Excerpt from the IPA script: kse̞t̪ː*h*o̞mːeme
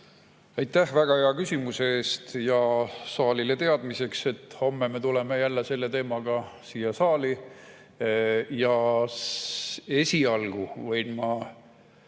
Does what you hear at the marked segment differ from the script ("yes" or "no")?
no